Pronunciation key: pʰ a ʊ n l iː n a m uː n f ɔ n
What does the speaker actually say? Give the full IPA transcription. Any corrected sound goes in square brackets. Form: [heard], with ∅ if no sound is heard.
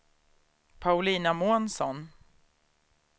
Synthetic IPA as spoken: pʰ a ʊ [∅] l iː n a m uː n [s] ɔ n